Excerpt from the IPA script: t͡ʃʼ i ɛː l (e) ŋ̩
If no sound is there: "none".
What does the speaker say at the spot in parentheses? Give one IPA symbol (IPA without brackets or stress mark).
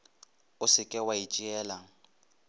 a